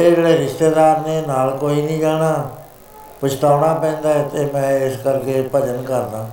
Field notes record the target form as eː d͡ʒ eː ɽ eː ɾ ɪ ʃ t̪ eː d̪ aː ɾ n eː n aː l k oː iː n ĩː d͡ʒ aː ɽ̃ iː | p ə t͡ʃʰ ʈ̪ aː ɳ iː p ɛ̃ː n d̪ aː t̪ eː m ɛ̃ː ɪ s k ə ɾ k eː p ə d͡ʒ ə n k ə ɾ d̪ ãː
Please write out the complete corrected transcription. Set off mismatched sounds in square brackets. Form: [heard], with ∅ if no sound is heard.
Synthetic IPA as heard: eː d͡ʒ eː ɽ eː ɾ ɪ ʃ t̪ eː d̪ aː ɾ n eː n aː l k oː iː n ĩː d͡ʒ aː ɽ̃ [aː] | p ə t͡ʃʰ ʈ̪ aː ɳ [aː] p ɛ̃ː n d̪ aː t̪ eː m ɛ̃ː ɪ s k ə ɾ k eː p ə d͡ʒ ə n k ə ɾ d̪ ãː